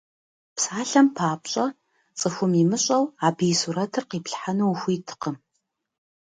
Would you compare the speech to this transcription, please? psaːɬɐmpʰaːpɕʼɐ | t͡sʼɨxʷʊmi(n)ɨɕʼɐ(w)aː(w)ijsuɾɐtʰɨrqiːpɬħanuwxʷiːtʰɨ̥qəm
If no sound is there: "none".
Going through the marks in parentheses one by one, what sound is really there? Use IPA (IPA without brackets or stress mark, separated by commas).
m, w, b